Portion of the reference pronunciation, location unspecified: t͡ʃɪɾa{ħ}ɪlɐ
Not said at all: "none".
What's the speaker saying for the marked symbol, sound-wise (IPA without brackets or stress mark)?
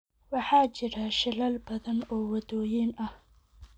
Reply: ʃ